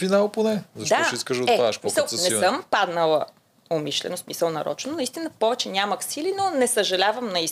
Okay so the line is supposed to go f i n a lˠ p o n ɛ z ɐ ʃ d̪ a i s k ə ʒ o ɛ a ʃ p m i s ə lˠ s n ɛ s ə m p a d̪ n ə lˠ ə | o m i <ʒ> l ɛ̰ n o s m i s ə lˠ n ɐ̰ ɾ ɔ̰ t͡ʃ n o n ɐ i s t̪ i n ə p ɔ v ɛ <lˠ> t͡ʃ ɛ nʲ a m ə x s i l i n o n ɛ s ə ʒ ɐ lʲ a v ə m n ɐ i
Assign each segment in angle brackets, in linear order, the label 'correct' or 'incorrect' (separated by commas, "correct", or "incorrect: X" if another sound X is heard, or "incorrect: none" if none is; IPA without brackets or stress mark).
incorrect: ʃ, incorrect: none